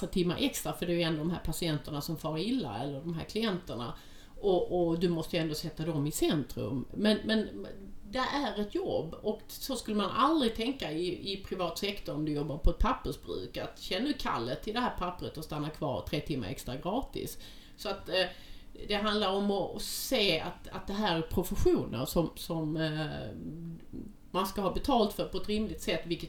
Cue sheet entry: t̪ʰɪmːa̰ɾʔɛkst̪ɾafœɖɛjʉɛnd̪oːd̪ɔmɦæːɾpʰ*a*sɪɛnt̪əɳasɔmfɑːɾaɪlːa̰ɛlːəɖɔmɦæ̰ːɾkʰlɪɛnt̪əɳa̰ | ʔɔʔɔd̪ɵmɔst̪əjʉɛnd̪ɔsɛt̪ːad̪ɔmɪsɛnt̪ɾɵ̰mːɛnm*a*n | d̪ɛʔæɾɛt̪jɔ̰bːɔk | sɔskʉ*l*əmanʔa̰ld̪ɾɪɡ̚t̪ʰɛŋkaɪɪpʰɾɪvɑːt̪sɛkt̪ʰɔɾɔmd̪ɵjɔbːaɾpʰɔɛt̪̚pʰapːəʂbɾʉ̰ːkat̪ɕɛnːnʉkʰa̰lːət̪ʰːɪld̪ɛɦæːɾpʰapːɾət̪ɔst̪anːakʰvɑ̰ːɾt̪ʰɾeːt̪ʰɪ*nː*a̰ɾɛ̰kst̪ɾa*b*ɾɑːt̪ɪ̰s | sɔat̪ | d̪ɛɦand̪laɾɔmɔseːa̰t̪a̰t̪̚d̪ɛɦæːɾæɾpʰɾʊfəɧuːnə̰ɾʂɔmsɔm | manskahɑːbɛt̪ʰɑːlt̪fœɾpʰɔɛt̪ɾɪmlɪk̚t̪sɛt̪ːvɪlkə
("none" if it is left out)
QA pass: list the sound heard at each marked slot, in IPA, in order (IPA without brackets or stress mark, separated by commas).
a, ɛ, lː, mː, ɡ